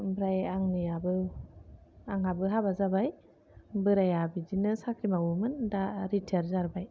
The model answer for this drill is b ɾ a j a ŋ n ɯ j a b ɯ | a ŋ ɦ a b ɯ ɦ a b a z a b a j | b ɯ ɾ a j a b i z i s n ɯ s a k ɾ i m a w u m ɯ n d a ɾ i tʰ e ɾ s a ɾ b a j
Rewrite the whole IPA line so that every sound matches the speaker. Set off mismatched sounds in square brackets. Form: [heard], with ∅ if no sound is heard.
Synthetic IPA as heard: b ɾ a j a ŋ n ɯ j a b ɯ | a ŋ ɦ a b ɯ ɦ a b a z a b a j | b ɯ ɾ a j a b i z i [∅] n ɯ s a k ɾ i m a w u m ɯ n d a ɾ i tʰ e ɾ [z] a ɾ b a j